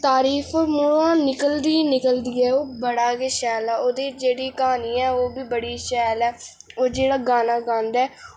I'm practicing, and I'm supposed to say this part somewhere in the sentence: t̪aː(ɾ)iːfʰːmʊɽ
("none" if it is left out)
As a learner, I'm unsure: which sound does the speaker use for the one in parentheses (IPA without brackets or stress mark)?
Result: ɾ